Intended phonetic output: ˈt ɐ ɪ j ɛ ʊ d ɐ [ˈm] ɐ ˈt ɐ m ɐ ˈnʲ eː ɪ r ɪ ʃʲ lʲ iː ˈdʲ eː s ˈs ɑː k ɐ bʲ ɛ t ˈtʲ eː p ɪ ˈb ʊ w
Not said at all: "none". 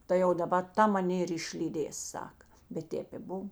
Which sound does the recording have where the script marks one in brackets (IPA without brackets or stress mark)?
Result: b